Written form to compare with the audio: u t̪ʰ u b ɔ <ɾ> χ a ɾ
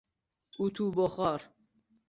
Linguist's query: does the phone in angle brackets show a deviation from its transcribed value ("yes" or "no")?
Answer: yes